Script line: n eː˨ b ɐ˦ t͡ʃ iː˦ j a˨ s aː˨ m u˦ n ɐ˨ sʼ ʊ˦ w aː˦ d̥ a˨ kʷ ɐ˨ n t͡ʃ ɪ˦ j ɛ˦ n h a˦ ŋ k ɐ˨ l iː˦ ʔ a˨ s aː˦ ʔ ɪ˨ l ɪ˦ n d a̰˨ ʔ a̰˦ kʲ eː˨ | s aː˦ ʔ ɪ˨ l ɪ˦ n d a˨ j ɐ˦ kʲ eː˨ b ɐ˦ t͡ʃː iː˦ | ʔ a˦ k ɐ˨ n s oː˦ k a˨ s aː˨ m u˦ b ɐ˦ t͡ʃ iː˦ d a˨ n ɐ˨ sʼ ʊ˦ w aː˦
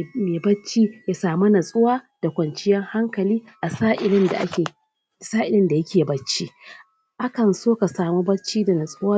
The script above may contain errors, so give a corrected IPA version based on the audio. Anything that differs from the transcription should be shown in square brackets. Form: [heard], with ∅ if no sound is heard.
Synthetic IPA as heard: [m] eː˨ b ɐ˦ t͡ʃ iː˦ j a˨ s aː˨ m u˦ n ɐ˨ sʼ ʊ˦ w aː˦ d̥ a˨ kʷ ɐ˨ n t͡ʃ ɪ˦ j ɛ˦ [ŋ] h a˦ ŋ k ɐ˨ l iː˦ ʔ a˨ s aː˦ ʔ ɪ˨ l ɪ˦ n d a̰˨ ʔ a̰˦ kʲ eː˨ | s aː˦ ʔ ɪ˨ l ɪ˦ n d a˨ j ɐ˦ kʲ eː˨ b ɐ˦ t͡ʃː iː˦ | ʔ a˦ k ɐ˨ n s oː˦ k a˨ s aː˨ m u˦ b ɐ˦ t͡ʃ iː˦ d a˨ n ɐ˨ sʼ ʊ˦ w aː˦

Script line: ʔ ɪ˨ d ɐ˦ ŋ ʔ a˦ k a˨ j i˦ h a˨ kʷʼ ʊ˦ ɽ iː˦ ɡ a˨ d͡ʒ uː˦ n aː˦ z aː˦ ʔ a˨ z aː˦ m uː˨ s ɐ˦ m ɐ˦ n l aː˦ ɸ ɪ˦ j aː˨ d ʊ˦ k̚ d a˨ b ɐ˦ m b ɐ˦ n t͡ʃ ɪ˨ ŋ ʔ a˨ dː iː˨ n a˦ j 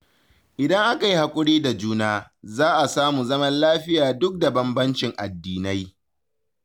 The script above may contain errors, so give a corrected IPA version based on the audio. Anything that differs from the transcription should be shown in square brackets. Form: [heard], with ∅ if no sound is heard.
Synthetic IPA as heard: ʔ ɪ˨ d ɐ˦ ŋ ʔ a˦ k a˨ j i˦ h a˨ kʷʼ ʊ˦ ɽ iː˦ [d] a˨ d͡ʒ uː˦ n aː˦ z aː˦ ʔ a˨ [s] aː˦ m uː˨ [z] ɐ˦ m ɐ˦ n l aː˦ ɸ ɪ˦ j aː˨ d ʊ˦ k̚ d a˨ b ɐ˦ m b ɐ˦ n t͡ʃ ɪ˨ ŋ ʔ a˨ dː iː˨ n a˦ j

